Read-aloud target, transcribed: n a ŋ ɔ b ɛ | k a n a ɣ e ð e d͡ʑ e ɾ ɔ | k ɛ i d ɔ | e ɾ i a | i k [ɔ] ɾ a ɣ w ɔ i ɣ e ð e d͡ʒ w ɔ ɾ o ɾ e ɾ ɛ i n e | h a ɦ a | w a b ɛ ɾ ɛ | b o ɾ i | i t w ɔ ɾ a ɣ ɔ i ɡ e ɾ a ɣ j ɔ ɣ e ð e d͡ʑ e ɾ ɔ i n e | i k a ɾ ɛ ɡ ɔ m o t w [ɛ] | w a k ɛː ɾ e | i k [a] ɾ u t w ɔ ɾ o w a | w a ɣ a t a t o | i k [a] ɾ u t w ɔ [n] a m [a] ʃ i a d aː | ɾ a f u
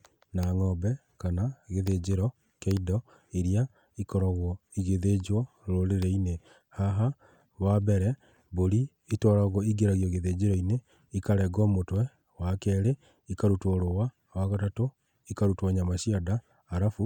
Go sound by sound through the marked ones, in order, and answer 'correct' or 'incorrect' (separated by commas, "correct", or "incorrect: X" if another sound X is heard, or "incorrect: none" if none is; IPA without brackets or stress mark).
correct, correct, correct, correct, incorrect: ɲ, correct